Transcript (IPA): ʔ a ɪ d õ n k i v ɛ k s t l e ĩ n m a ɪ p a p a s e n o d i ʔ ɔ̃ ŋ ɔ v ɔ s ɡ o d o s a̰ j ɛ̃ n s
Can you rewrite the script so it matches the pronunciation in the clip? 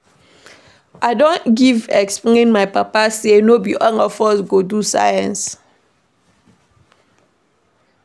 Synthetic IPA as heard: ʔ a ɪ d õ n ɡ i v ɛ k s p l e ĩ n m a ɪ p a p a s e n o b i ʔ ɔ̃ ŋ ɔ f ɔ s ɡ o d u s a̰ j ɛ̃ n s